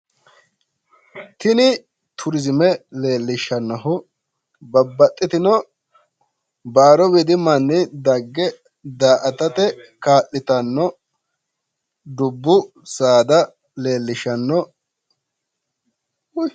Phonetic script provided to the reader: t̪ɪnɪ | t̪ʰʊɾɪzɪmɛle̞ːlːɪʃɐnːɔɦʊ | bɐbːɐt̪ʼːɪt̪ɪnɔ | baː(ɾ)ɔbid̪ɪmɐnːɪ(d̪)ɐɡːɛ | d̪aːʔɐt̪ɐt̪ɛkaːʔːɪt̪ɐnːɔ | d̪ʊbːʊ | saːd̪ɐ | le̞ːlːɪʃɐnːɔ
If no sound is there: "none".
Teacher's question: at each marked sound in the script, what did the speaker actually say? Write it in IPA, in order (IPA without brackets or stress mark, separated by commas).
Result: ɾ, d̪